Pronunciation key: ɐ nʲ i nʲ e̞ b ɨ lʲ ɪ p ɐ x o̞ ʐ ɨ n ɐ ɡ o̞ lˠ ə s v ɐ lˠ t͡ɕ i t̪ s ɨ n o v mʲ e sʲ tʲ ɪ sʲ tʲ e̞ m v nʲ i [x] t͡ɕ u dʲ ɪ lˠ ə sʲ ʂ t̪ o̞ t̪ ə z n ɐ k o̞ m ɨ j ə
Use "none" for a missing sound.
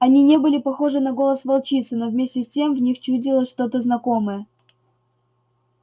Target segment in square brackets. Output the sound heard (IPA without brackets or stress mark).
x